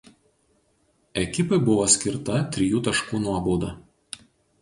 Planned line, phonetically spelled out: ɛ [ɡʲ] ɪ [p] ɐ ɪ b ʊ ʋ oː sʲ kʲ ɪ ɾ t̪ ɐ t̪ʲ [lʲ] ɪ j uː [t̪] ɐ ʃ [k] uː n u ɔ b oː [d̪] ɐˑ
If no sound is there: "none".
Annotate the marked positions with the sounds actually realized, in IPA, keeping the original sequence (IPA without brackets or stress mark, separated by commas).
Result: kʲ, p, ɾʲ, t̪, k, d̪